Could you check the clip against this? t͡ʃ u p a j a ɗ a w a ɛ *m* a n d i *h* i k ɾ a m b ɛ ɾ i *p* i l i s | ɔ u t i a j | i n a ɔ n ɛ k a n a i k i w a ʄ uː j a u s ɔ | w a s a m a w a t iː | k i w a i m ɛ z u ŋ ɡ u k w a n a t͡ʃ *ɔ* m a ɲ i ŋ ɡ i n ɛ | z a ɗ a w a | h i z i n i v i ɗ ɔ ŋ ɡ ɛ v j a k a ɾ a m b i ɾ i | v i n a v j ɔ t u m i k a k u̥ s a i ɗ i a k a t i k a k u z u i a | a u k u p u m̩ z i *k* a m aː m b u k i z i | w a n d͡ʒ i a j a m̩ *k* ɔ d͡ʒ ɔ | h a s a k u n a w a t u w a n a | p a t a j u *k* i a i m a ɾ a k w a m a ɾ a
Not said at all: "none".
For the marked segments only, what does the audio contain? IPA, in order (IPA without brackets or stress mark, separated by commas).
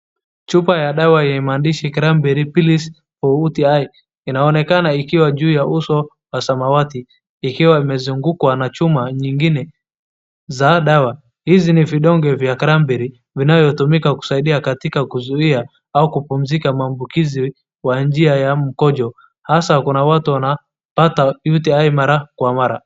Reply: m, ʃ, p, u, k, k, t